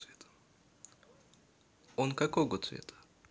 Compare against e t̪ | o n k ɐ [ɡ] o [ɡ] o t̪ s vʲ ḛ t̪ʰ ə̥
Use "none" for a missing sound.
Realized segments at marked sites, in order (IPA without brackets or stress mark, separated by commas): k, ɡ